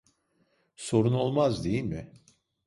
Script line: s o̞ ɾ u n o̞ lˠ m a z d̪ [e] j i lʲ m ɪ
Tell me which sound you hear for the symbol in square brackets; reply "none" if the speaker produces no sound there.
e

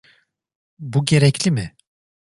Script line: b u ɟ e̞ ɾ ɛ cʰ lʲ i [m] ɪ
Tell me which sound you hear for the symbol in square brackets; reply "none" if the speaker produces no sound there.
m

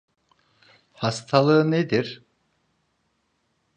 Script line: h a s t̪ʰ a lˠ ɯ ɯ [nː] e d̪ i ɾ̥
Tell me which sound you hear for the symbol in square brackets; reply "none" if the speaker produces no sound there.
n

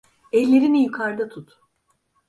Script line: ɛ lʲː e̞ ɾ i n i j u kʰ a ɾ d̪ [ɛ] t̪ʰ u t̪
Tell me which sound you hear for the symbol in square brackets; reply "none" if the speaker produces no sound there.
a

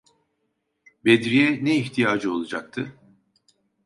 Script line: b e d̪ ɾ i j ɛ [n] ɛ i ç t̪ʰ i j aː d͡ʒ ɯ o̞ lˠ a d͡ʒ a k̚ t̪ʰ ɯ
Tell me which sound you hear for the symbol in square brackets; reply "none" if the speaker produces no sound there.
n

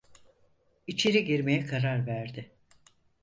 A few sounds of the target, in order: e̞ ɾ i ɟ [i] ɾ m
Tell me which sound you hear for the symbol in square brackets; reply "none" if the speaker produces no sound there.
i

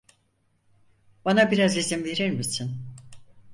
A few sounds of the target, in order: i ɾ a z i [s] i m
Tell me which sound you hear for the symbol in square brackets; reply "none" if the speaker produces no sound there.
z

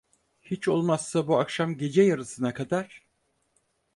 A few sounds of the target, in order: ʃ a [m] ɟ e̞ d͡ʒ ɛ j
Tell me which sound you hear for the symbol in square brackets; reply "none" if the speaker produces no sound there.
m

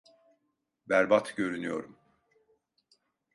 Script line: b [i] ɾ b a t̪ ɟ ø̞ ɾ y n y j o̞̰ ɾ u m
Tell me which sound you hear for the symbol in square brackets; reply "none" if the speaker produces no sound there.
æ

